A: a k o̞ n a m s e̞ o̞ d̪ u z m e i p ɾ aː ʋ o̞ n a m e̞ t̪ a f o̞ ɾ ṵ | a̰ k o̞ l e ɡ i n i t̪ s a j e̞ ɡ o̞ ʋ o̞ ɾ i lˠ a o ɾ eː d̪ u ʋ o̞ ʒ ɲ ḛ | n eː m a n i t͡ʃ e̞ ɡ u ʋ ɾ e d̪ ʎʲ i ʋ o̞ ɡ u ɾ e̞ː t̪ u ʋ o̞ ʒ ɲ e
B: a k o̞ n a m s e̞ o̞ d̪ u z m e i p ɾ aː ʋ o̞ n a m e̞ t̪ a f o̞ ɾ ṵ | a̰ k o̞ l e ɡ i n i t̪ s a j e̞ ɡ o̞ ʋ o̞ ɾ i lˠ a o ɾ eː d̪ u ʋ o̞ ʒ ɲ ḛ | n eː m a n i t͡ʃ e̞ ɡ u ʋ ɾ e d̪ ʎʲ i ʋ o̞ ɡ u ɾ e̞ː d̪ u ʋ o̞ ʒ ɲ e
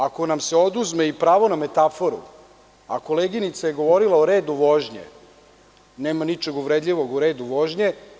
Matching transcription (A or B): B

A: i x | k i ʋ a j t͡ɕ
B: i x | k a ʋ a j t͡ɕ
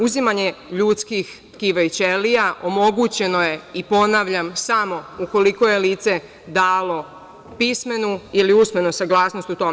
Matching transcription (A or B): A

